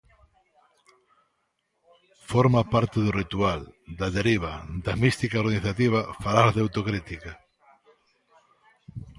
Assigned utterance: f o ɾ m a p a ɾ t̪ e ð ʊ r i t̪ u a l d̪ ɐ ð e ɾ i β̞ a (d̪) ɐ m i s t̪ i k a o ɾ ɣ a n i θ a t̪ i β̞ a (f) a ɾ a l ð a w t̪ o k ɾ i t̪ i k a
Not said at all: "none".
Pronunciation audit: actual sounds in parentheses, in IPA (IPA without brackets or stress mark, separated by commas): d̪, f